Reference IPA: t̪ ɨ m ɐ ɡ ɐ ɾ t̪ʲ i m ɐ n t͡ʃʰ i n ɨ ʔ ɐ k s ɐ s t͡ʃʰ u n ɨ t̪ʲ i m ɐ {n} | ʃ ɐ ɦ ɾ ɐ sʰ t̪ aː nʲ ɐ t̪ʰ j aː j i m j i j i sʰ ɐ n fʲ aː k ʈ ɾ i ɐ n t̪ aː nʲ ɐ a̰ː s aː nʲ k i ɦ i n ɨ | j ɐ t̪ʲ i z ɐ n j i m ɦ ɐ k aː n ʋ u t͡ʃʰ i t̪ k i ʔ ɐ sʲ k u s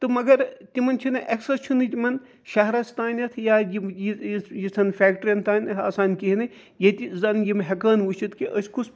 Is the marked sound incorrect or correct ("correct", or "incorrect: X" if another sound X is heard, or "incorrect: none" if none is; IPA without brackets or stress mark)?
correct